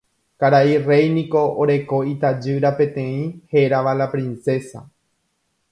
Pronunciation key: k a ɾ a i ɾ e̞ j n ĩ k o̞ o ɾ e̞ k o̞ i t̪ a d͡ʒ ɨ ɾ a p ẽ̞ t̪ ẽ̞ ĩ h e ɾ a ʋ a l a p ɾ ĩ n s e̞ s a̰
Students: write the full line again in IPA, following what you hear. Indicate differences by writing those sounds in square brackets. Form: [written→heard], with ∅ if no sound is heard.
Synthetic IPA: k a ɾ a i [ɾ→r] e̞ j n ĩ k o̞ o ɾ e̞ k o̞ i t̪ a d͡ʒ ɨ ɾ a p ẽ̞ t̪ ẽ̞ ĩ h e ɾ a ʋ a l a p ɾ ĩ n s e̞ s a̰

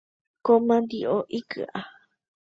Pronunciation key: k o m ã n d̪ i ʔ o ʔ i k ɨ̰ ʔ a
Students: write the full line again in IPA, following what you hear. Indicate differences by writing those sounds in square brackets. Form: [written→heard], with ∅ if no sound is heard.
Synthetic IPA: k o m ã n d̪ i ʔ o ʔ i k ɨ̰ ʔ a

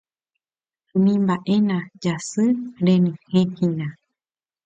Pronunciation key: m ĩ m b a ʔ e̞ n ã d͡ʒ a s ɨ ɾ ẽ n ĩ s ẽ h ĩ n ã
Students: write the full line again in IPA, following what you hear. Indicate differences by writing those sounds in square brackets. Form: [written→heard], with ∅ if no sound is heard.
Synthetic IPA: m ĩ m b a ʔ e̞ n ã d͡ʒ a s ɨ ɾ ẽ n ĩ [s→h] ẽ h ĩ n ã

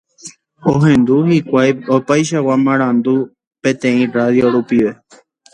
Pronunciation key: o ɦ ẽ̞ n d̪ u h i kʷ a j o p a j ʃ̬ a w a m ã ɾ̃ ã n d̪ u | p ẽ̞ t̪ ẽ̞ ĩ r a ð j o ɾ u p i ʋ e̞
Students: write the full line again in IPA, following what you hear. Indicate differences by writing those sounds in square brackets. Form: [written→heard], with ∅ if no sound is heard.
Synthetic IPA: o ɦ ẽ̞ n d̪ u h i kʷ a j o p a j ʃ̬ a w a m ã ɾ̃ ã n d̪ u | p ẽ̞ t̪ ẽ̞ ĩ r a ð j o ɾ u p i ʋ e̞

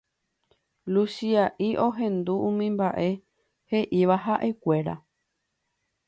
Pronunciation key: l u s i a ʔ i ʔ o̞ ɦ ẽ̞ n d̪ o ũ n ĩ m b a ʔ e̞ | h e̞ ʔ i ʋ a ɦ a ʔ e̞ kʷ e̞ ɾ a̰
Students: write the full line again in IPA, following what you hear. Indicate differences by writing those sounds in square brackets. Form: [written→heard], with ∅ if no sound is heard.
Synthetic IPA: l u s i a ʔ i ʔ o̞ ɦ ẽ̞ n d̪ [o→u] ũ [n→m] ĩ m b a ʔ e̞ | h e̞ ʔ i ʋ a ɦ a ʔ e̞ kʷ e̞ ɾ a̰

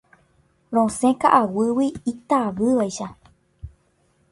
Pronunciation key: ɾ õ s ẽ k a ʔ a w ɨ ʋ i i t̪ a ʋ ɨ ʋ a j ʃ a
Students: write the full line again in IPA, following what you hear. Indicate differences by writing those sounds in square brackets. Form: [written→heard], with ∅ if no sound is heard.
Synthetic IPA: ɾ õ s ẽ k a ʔ a w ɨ [ʋ→w] i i t̪ a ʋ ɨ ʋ a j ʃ a

